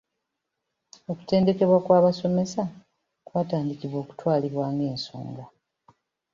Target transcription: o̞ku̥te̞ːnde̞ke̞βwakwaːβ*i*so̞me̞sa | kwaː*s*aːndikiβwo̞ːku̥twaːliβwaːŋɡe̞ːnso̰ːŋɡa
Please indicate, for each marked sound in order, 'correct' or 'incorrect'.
incorrect, incorrect

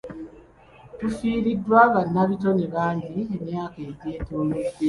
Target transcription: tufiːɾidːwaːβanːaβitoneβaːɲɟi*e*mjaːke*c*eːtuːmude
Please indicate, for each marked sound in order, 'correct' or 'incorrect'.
correct, incorrect

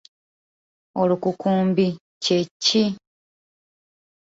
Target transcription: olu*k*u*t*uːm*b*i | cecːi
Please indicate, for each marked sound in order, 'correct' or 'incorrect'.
correct, incorrect, correct

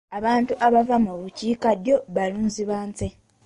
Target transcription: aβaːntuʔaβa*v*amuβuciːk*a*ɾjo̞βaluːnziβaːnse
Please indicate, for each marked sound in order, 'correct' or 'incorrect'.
correct, correct

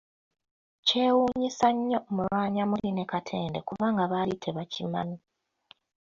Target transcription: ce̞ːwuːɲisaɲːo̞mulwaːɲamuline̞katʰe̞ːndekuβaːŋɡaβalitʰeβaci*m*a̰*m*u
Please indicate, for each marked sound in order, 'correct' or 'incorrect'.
correct, incorrect

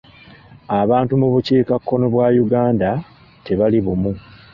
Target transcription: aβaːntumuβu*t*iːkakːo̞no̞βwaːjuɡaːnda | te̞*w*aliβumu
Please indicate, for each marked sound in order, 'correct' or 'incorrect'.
incorrect, incorrect

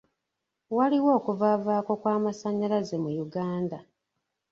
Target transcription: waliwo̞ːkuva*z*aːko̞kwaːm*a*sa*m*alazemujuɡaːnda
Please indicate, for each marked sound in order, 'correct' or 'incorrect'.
incorrect, correct, incorrect

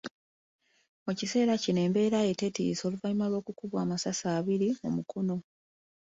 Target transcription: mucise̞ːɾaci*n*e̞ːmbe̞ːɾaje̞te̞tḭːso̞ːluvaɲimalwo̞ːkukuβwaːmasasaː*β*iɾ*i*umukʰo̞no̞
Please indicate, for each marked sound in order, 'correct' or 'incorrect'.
correct, correct, correct

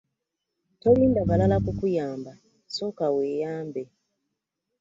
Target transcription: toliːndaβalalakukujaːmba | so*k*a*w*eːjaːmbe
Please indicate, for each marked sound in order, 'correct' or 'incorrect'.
correct, correct

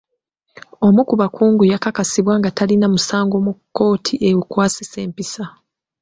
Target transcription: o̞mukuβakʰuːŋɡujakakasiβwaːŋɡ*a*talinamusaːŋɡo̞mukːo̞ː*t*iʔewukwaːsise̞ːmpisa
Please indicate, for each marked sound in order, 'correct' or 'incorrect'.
correct, incorrect

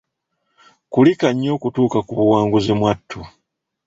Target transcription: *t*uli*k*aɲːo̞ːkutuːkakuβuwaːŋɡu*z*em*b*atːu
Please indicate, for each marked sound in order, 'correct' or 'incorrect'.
incorrect, correct, correct, incorrect

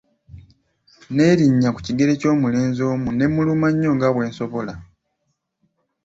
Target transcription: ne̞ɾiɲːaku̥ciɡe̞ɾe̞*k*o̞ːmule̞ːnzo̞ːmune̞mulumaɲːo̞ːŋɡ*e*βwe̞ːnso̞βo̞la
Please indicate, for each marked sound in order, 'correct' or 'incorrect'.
incorrect, incorrect

